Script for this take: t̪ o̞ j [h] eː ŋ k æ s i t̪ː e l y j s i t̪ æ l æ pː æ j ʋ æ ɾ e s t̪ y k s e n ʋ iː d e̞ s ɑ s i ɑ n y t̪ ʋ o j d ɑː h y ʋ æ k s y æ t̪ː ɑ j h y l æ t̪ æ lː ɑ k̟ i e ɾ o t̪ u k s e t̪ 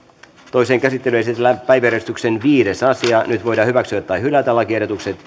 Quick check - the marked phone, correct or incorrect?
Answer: incorrect